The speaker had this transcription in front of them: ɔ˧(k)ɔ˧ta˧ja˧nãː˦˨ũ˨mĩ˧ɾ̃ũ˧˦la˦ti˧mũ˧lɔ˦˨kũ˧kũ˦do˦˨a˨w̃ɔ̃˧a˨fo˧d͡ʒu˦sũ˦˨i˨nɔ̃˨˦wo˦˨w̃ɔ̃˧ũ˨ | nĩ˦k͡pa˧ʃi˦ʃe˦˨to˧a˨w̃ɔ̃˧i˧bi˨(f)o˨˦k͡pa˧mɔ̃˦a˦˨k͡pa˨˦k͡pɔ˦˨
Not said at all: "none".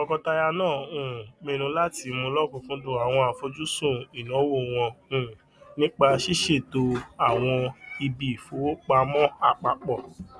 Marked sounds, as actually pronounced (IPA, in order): k, f

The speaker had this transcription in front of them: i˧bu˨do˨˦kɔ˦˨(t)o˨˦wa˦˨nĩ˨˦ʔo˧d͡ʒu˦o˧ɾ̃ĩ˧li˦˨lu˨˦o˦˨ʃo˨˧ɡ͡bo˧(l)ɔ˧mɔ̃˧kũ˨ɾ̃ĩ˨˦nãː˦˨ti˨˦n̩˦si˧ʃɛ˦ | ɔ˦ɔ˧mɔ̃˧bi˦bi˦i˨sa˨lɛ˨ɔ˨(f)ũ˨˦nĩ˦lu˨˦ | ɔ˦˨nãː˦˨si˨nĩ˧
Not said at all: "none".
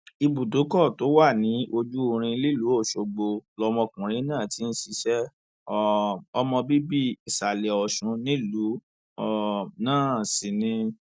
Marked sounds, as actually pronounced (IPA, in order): t, l, ʃ

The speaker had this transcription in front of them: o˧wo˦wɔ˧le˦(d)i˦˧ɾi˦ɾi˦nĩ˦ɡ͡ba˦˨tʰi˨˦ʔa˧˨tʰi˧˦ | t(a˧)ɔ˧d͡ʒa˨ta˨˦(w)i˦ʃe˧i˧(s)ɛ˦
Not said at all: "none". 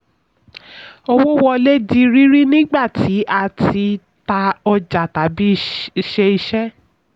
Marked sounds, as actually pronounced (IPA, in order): d, a˧, b, ʃ

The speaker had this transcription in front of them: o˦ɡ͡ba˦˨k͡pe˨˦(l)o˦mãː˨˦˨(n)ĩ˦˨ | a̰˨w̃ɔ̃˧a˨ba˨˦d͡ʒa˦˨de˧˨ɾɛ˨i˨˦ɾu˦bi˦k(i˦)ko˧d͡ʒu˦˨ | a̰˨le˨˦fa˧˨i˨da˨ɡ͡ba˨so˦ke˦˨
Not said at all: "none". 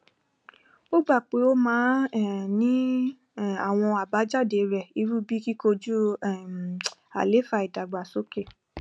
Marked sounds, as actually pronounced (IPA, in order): none, n, i˦

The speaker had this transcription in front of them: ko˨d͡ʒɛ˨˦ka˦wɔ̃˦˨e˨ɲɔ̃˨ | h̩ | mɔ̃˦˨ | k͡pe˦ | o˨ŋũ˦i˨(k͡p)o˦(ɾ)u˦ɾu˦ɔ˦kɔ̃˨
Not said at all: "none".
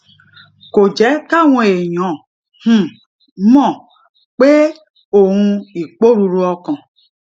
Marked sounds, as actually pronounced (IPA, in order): k͡p, ɾ

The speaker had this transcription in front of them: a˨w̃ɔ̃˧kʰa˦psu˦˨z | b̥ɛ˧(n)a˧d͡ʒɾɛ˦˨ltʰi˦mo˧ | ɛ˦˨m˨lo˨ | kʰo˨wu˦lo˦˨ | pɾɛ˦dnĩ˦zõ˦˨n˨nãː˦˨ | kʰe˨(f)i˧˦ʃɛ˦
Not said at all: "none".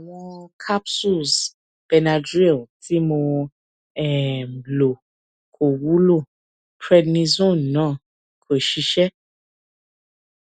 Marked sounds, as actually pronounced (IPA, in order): n, ʃ

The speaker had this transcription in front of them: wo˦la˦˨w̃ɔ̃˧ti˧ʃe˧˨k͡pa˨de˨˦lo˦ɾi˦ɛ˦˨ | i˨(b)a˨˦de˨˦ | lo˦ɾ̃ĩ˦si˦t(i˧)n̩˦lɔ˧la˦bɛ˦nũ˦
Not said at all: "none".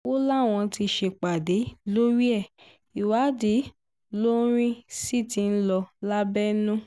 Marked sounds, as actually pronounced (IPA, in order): w, i˧

